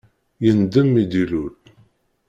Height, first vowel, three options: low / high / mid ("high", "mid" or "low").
mid